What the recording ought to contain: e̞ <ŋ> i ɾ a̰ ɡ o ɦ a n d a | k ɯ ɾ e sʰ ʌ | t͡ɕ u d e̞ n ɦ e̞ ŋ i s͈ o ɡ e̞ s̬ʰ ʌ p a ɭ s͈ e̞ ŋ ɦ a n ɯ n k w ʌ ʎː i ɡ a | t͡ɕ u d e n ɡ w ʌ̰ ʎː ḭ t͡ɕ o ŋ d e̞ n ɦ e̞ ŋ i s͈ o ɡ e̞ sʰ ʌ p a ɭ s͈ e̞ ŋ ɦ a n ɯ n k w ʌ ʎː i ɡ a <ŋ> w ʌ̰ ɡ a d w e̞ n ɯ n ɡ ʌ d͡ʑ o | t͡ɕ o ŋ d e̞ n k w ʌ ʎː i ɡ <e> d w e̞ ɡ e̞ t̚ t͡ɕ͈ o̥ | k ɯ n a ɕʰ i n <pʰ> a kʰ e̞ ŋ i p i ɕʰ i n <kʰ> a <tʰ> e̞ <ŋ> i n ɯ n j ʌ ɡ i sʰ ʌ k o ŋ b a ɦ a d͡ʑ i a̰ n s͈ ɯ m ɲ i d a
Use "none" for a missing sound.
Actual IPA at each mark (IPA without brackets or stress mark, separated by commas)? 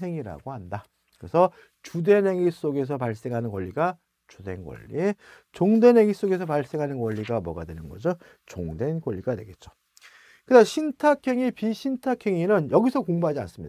ŋ, m, a, tʰ, tʰ, kʰ, ŋ